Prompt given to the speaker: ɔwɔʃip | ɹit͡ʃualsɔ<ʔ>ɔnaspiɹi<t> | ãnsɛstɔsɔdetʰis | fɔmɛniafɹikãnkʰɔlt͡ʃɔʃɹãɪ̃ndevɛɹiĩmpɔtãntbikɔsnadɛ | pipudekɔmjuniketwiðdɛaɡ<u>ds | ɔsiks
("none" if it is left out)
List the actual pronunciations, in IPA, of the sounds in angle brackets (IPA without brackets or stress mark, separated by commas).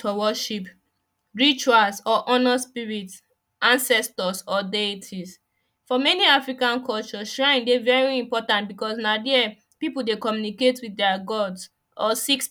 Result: ʔ, t, ɔ